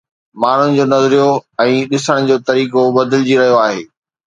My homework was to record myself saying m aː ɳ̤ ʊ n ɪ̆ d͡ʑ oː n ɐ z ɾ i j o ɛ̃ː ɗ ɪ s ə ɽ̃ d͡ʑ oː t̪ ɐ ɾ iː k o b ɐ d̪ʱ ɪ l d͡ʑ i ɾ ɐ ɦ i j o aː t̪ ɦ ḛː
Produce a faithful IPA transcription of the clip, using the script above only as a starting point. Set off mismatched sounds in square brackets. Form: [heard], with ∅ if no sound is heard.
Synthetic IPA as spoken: m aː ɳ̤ ʊ n ɪ̆ d͡ʑ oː n ɐ z ɾ i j o ɛ̃ː ɗ ɪ s ə ɽ̃ d͡ʑ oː t̪ ɐ ɾ iː k o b ɐ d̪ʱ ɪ l d͡ʑ i ɾ ɐ ɦ i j o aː [∅] ɦ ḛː